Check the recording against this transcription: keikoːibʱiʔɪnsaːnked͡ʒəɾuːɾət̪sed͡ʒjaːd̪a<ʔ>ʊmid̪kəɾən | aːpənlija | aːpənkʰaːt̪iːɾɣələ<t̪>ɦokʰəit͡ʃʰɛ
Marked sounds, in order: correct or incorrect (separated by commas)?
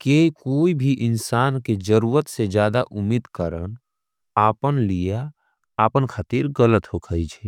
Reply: correct, correct